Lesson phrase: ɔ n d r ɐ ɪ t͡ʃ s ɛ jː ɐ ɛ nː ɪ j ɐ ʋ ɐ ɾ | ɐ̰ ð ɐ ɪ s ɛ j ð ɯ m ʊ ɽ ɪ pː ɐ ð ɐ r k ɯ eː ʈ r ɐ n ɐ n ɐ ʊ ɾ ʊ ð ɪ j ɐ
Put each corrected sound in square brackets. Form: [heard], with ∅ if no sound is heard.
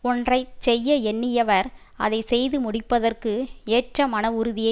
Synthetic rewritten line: ɔ n d r ɐ ɪ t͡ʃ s ɛ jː ɐ ɛ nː ɪ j ɐ ʋ ɐ ɾ | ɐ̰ ð ɐ ɪ s ɛ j ð ɯ m ʊ ɽ ɪ pː ɐ ð ɐ r k ɯ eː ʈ r ɐ [m] ɐ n ɐ ʊ ɾ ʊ ð ɪ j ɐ